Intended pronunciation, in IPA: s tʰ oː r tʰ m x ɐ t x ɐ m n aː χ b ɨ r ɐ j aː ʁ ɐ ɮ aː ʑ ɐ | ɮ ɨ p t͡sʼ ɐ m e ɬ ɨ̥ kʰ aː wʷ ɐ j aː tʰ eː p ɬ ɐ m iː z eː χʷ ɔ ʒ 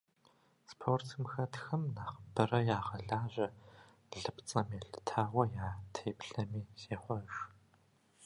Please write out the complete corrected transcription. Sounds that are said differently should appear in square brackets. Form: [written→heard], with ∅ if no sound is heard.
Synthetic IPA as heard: s [tʰ→pʰ] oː r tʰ m x ɐ t x ɐ m n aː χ b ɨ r ɐ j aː ʁ ɐ ɮ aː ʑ ɐ | ɮ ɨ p t͡sʼ ɐ m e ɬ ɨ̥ [kʰ→tʰ] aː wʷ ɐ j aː tʰ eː p ɬ ɐ m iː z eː χʷ ɔ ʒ

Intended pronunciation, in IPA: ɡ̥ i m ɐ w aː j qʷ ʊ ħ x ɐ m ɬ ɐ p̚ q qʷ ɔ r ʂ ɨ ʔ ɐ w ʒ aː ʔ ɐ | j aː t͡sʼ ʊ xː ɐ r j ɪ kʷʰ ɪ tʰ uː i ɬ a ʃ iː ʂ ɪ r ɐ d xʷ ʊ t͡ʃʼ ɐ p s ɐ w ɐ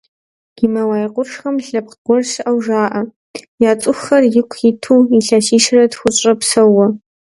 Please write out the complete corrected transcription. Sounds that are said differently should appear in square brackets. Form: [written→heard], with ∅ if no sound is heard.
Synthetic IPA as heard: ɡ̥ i m ɐ w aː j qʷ ʊ [ħ→ʂ] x ɐ m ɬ ɐ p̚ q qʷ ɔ r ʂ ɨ ʔ ɐ w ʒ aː ʔ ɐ | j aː t͡sʼ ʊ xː ɐ r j ɪ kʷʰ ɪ tʰ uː i ɬ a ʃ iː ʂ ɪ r ɐ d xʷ ʊ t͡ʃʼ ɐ p s ɐ w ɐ

